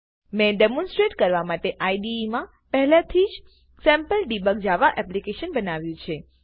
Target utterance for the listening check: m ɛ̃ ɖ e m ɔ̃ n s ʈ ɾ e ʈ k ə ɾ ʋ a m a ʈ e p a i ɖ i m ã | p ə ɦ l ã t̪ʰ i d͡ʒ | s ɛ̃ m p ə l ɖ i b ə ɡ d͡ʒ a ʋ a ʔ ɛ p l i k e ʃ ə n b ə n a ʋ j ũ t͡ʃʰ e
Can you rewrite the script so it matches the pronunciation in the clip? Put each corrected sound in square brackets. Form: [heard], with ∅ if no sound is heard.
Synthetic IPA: m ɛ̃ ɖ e m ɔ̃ n s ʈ ɾ e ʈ k ə ɾ ʋ a m a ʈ e [ʔ] a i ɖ i m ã | p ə ɦ l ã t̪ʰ i d͡ʒ | s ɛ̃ m p ə l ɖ i b ə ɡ d͡ʒ a ʋ a ʔ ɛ p l i k e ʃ ə n b ə n a ʋ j ũ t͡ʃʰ e